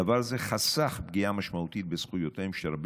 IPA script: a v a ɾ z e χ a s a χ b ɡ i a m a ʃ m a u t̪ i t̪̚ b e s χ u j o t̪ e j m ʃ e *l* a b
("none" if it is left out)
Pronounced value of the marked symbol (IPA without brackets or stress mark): ɾ